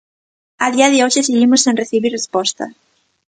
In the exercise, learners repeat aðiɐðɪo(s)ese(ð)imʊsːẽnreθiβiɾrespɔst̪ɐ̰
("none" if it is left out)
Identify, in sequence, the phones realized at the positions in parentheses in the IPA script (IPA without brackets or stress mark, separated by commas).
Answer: ʃ, ɣ